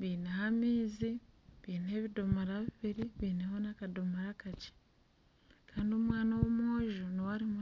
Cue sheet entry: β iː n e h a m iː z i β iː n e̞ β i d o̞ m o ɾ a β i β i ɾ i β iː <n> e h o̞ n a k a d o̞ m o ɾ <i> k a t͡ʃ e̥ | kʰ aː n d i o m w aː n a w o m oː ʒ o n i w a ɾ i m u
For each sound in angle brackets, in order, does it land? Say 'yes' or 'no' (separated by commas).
yes, no